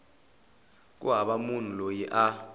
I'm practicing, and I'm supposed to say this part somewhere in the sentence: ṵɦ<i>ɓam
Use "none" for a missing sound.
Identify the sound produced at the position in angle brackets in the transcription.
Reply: a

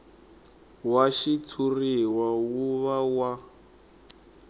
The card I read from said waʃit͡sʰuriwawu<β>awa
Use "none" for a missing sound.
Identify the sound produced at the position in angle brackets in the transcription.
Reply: β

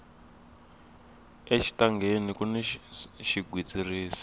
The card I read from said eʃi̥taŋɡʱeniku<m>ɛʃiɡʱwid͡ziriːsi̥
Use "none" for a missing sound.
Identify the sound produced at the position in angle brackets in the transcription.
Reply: n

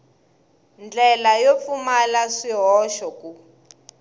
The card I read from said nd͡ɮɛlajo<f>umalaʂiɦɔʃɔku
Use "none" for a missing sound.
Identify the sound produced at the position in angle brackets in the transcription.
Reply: f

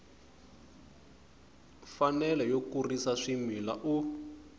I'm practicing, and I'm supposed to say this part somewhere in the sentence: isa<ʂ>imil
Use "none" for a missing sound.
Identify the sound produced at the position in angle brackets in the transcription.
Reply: ʂ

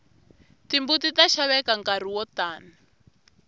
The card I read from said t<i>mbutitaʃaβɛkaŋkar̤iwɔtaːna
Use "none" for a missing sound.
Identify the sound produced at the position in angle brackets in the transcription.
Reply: i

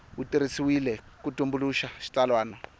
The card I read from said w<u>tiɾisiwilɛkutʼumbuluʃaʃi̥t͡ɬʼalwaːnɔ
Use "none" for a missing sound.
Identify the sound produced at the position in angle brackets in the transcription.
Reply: u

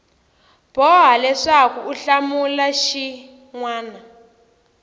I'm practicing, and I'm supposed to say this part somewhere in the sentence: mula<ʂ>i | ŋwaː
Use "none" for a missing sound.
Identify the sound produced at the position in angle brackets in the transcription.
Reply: ʃ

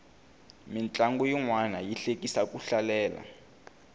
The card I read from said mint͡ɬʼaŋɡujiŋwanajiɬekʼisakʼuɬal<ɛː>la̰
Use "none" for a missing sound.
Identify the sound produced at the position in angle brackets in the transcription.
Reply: ɛː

